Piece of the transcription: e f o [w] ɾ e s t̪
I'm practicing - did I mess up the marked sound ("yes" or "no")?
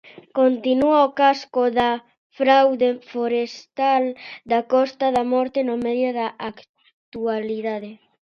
yes